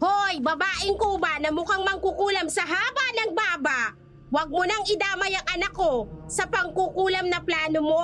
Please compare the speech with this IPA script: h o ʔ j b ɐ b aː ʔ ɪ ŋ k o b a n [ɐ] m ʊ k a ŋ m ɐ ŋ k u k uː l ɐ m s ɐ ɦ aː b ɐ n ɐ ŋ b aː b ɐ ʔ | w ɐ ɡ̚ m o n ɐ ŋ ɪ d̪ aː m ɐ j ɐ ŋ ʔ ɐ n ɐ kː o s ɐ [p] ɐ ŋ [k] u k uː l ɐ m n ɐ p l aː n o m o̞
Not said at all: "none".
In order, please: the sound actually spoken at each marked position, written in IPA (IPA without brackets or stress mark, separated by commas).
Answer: ɐ, p, k